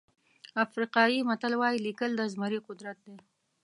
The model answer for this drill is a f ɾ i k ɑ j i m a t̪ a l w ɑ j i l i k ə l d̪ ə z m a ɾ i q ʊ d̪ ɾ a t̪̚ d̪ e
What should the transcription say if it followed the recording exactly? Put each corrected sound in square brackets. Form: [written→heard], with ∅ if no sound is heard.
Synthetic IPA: a f ɾ i [k→q] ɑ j i m a t̪ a l w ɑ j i l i k ə l d̪ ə z m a ɾ i q ʊ d̪ ɾ a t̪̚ d̪ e

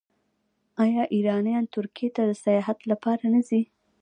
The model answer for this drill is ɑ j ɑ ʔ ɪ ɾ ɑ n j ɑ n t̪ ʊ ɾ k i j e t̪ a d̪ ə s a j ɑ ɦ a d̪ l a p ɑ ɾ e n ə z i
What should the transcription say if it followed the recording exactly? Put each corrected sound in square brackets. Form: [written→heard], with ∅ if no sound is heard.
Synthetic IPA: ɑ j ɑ ʔ [ɪ→i] ɾ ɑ n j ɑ n t̪ ʊ ɾ k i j e t̪ a d̪ ə s a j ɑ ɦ a [d̪→t̪] l a p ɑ ɾ [e→a] n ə z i

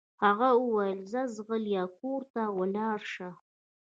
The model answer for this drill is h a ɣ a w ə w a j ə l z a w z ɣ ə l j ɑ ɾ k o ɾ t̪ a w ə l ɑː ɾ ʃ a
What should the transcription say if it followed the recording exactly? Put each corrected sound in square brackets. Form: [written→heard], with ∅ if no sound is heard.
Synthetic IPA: h a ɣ a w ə w a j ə l z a [w→∅] z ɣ ə l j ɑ [ɾ→∅] k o ɾ t̪ a w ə l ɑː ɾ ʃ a

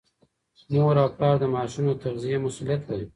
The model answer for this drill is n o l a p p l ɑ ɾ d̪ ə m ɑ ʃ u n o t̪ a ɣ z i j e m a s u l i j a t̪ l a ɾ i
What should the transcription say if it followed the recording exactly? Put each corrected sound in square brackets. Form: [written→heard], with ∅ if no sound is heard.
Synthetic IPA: n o [l→ɾ] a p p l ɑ ɾ d̪ ə m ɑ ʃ u n o t̪ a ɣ z i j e m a s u l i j a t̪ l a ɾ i

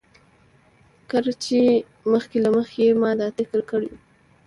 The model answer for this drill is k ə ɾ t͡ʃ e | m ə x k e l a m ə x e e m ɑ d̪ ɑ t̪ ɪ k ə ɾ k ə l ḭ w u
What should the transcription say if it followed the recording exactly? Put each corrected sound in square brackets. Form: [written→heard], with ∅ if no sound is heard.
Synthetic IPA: k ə ɾ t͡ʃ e | m ə x k e l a m ə x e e m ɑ d̪ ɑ t̪ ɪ k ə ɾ k ə [l→ɽ] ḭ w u

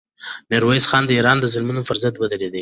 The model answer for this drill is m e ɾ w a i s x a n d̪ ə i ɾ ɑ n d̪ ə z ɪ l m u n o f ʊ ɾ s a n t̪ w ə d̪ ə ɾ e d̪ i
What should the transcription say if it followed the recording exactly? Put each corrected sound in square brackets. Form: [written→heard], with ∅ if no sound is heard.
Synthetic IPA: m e ɾ w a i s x [a→ɑ] n d̪ ə i ɾ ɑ n d̪ ə z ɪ l m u n o f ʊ ɾ [s→z] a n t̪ w ə d̪ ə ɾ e d̪ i

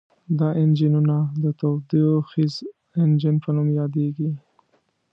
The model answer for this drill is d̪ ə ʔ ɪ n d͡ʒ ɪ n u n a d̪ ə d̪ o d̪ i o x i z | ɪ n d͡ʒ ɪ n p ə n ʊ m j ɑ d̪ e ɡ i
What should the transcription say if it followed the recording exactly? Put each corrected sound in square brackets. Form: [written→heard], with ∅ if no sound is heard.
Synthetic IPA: d̪ [ə→ɑ] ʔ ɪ n d͡ʒ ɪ n u n a d̪ ə [d̪→t̪] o d̪ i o x i z | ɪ n d͡ʒ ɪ n p ə n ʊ m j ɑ d̪ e ɡ i

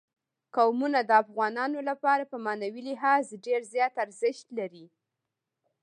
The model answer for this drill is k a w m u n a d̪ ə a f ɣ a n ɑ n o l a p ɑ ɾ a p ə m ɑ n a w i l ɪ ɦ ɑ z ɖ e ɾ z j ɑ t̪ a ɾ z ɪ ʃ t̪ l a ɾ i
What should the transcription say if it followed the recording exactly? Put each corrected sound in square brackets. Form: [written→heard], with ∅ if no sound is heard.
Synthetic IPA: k a w m u n a d̪ ə a f ɣ [a→ɑ] n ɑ n o l a p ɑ ɾ a p ə m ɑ n a w i l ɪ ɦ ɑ z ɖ e ɾ z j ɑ t̪ a ɾ z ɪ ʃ t̪ l a ɾ i

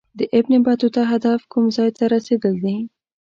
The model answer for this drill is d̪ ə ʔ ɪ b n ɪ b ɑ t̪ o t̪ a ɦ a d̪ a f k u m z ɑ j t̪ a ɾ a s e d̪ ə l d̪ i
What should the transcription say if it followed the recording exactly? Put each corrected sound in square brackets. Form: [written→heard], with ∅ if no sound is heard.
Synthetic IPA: d̪ ə ʔ ɪ b n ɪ b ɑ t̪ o t̪ a ɦ a d̪ a f k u m z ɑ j t̪ a ɾ a s e d̪ ə l d̪ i

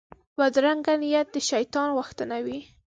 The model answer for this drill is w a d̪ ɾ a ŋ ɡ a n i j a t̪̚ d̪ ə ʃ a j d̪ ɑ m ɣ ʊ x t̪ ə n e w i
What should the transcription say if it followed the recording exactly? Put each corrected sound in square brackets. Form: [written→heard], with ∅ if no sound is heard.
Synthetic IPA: w a d̪ ɾ a ŋ ɡ a n i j a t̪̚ d̪ ə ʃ a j [d̪→t̪] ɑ [m→n] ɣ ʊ x t̪ ə n [e→a] w i

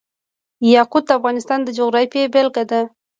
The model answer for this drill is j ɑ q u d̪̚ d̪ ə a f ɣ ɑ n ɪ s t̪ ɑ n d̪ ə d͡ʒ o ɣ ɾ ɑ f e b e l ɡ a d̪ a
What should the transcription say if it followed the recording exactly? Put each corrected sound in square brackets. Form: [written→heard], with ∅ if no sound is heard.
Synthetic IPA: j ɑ q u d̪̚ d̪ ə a f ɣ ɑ n ɪ s t̪ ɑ n d̪ ə d͡ʒ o ɣ ɾ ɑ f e b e l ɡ a d̪ a

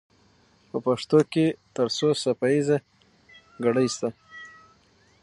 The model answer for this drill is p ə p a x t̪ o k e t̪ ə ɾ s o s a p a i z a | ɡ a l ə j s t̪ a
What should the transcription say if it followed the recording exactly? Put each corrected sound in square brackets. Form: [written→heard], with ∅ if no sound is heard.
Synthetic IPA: p ə p a [x→ʂ] t̪ o k e t̪ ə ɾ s o s a p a i z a | ɡ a [l→ɽ] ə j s t̪ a

